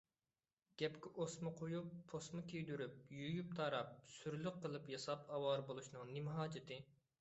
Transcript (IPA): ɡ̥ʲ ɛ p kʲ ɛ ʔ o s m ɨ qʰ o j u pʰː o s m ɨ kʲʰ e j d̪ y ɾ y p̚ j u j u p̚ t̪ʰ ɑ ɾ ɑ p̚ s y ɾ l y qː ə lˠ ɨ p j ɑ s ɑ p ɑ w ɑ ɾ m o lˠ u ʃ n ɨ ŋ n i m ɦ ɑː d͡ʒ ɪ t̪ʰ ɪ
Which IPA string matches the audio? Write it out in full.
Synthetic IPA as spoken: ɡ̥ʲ ɛ p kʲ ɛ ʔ o s m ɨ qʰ o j u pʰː o s m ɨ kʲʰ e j d̪ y ɾ y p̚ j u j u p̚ t̪ʰ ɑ ɾ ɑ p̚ s y ɾ l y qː ə lˠ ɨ p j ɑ s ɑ p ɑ w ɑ ɾ b o lˠ u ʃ n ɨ ŋ n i m ɦ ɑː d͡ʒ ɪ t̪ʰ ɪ